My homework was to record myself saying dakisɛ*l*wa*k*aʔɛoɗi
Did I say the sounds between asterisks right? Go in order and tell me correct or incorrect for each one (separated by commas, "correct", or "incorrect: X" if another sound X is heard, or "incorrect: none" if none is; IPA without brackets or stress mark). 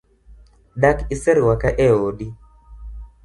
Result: incorrect: ɾ, correct